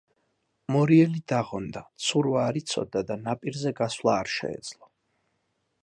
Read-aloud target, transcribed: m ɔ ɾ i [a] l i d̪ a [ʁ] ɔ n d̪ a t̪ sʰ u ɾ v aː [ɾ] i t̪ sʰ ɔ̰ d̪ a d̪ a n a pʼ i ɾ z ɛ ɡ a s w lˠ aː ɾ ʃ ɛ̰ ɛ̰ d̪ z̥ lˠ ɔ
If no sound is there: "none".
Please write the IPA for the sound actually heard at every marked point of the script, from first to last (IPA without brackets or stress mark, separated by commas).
ɛ, ʁ, ɾ